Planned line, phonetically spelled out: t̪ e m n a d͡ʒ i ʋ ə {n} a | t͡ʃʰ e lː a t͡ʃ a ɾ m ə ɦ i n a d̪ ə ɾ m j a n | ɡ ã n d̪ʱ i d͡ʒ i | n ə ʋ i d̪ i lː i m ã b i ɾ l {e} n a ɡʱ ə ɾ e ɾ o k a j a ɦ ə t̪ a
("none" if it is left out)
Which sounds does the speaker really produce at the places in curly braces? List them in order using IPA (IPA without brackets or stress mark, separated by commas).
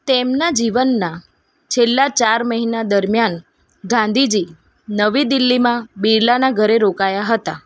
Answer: nː, a